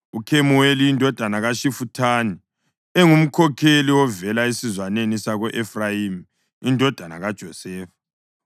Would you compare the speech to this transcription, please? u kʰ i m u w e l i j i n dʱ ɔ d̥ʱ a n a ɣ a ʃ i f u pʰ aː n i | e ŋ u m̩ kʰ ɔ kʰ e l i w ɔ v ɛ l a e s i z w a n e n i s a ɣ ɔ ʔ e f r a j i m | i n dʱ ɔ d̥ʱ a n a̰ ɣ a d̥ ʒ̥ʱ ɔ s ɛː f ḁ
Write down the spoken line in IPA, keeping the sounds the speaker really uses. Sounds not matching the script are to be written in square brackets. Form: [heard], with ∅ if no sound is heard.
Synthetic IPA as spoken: u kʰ [e] m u w e l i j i n dʱ ɔ d̥ʱ a n a ɣ a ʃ i f u [tʰ] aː n i | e ŋ u m̩ kʰ ɔ kʰ e l i w ɔ v ɛ l a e s i z w a n e n i s a ɣ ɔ ʔ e f r a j i m | i n dʱ ɔ d̥ʱ a n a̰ ɣ a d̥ ʒ̥ʱ ɔ s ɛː f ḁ